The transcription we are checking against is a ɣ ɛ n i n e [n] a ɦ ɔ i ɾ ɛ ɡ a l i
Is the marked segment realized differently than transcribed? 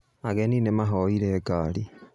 yes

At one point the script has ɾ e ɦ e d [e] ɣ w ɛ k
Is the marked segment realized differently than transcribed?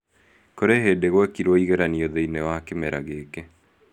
no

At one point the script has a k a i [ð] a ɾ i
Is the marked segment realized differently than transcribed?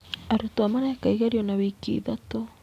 yes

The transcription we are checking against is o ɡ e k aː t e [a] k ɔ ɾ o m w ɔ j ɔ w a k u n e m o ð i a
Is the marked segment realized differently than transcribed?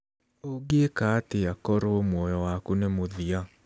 no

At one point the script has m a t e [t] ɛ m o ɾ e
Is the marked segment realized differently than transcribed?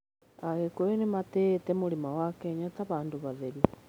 no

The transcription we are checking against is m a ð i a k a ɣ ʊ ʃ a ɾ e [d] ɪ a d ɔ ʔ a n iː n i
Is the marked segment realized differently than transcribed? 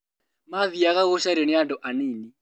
yes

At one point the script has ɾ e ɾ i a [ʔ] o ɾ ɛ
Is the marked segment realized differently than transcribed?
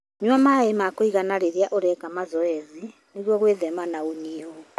no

